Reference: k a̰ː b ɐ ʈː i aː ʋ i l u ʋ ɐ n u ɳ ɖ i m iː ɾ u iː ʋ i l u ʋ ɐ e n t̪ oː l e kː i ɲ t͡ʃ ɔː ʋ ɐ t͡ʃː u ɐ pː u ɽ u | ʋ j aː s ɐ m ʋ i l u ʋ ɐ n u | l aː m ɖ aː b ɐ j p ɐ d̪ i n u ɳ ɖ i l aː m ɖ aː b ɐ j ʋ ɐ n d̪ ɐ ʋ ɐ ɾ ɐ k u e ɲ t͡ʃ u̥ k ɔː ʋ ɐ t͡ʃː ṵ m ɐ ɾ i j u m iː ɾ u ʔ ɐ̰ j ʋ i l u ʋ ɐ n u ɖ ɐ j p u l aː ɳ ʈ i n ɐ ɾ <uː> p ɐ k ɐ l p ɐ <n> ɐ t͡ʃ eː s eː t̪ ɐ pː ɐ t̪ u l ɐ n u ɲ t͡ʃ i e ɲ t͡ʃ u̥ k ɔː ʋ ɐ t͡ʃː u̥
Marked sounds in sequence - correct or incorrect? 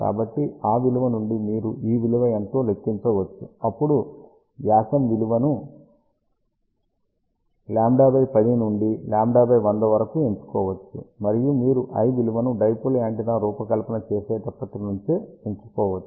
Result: correct, correct

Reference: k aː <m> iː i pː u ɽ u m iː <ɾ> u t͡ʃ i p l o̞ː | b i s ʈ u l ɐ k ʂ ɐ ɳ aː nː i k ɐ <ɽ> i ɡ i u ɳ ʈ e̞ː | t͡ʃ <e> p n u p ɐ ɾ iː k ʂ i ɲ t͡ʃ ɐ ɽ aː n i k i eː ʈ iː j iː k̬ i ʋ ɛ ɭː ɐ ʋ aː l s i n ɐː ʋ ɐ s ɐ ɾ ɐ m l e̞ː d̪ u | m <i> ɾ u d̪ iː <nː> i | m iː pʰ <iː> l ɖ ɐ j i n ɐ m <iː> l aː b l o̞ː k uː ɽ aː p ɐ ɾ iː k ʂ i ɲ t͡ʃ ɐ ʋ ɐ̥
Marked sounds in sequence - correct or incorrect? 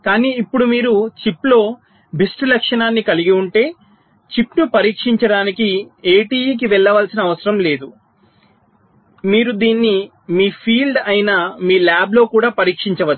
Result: incorrect: n, correct, incorrect: l, incorrect: i, incorrect: iː, correct, correct, correct

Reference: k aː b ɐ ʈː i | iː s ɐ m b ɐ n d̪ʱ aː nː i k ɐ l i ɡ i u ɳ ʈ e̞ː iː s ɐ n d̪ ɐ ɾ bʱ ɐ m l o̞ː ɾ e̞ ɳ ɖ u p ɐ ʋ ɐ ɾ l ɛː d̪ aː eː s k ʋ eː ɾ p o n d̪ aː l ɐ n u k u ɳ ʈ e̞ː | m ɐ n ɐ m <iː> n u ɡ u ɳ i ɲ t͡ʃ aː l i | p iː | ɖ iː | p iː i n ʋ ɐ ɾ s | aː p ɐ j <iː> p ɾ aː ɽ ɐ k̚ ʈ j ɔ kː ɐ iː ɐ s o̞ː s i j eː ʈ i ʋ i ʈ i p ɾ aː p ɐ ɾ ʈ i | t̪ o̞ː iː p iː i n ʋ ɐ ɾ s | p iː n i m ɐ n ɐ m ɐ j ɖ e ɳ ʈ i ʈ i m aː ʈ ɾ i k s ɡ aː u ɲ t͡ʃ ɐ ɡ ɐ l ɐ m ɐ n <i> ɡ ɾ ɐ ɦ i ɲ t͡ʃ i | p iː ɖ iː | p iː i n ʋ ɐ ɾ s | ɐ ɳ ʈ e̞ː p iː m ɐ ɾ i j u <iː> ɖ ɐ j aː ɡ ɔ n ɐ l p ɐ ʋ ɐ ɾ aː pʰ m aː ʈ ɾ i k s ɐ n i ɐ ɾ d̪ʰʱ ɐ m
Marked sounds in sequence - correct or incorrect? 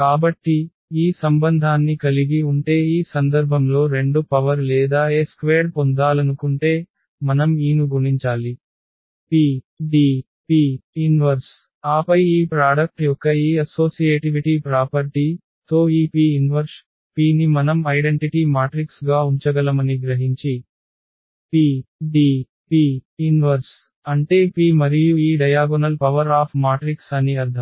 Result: correct, correct, correct, correct

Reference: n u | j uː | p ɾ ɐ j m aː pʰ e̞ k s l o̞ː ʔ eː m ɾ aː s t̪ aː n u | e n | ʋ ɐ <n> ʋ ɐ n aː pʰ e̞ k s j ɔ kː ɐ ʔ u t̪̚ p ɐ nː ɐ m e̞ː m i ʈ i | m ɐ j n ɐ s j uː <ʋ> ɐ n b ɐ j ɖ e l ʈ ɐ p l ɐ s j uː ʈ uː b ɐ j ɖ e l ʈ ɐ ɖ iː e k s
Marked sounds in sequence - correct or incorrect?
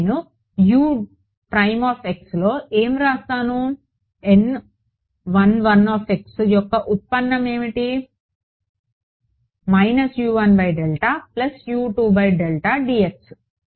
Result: correct, correct

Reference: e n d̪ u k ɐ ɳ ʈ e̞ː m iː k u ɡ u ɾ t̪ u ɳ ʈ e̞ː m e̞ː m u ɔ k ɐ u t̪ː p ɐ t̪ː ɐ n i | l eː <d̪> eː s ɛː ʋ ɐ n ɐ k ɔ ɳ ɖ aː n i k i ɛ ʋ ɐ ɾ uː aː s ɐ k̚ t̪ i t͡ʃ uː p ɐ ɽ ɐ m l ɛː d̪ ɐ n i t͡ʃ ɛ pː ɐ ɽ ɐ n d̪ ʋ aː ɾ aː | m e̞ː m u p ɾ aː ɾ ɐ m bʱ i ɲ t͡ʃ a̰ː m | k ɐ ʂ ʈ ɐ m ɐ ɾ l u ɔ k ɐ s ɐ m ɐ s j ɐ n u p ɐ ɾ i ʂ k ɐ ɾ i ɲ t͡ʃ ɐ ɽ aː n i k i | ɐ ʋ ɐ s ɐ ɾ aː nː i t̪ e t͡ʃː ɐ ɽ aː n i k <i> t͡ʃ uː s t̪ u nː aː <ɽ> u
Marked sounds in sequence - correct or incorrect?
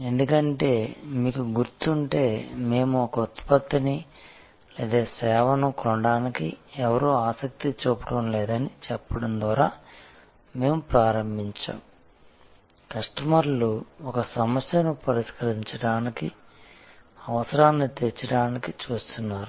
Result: correct, correct, incorrect: ɾ

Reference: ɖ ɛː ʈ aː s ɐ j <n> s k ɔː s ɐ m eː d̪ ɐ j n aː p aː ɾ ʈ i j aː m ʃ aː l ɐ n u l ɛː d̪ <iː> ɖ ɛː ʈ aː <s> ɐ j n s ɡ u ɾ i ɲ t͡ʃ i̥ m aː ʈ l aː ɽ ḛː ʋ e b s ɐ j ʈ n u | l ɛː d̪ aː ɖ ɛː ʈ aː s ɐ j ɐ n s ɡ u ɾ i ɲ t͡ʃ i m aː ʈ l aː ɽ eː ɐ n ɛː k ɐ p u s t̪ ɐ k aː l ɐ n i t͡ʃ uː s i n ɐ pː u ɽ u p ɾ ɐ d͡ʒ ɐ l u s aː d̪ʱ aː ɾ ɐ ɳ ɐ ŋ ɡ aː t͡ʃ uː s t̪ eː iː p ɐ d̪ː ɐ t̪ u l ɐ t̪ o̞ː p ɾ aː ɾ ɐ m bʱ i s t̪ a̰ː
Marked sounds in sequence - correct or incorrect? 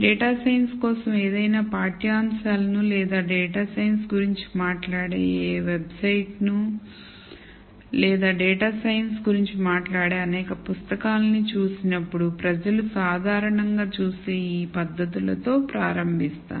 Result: correct, incorrect: aː, correct

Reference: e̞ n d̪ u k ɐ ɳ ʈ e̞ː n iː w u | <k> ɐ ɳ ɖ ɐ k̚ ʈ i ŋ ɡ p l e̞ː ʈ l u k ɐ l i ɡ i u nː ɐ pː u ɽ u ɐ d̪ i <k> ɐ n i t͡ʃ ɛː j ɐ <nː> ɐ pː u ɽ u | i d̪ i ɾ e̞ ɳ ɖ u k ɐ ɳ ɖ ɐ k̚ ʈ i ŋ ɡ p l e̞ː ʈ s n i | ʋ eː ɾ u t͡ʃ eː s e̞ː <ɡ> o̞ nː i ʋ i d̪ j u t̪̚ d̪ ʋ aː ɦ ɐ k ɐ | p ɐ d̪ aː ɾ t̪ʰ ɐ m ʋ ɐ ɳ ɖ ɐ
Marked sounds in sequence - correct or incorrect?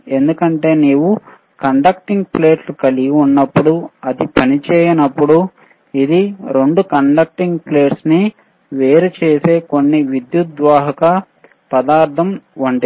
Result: correct, incorrect: p, incorrect: n, incorrect: k

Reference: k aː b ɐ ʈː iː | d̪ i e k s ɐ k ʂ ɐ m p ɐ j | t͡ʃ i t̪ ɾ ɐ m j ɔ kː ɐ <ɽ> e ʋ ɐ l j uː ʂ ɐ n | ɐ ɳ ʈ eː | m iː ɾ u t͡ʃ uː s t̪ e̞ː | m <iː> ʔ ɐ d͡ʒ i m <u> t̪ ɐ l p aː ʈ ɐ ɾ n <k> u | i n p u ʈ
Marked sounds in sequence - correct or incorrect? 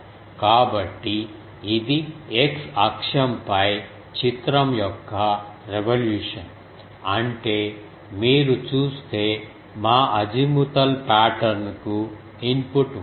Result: incorrect: ɾ, incorrect: aː, correct, correct

